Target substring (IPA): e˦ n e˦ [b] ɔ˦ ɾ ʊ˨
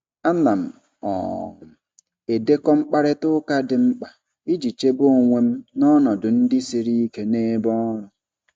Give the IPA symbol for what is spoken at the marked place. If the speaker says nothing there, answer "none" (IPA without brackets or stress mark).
b